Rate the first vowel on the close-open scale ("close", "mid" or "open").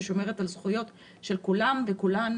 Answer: mid